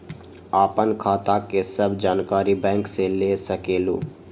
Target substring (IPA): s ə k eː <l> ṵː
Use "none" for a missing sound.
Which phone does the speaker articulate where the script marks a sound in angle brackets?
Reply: l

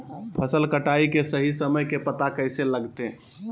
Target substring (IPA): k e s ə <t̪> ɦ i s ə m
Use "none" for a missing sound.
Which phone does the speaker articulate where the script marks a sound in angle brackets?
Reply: none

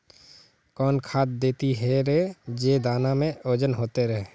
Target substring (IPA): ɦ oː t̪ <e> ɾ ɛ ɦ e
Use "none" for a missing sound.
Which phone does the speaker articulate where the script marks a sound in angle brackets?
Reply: e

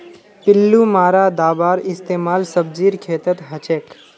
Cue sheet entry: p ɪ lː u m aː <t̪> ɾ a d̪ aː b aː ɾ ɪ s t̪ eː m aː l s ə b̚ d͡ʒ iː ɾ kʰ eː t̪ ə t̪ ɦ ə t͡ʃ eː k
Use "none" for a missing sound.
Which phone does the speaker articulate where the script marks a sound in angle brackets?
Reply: none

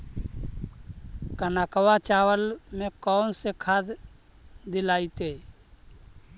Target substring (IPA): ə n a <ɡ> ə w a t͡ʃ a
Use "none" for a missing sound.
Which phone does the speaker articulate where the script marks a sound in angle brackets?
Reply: k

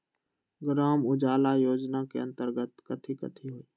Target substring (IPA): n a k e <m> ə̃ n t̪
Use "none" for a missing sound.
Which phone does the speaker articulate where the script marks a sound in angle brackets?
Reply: none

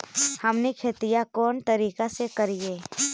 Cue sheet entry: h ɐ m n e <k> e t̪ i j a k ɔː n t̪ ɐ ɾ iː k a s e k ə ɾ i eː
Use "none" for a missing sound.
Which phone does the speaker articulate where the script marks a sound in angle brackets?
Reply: kʰ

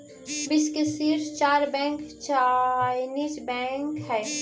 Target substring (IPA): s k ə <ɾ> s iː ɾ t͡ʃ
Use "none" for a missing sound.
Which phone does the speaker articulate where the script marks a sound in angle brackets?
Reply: none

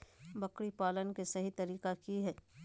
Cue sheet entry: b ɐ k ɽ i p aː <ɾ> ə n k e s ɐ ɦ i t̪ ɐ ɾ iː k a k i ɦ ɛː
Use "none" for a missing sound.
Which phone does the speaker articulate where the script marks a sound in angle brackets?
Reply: l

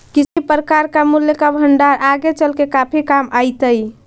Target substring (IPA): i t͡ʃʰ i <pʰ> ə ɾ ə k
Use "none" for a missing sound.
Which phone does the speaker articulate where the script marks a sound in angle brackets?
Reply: p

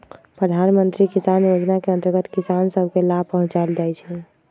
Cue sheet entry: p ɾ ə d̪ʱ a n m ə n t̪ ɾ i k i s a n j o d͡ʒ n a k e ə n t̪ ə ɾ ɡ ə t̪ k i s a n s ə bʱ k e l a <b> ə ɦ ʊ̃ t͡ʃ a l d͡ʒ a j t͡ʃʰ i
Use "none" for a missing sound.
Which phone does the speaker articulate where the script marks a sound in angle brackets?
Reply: p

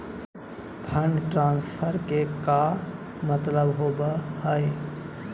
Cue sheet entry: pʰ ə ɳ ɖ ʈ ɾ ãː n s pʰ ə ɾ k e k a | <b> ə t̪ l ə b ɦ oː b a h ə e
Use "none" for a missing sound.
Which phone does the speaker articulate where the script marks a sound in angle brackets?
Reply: m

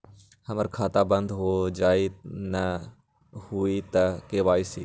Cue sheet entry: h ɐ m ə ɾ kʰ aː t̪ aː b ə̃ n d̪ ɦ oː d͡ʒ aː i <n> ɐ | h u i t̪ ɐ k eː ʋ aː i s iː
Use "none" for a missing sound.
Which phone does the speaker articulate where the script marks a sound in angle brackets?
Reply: n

